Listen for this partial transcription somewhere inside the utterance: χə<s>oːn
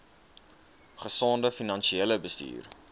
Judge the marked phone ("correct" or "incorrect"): correct